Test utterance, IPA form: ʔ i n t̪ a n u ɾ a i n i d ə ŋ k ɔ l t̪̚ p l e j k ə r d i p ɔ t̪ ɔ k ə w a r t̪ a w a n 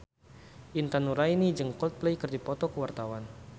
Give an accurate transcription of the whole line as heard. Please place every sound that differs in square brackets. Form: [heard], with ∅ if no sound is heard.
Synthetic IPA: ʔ i n t̪ a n u ɾ a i n i [d͡ʒ] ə ŋ k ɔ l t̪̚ p l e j k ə r d i p ɔ t̪ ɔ k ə w a r t̪ a w a n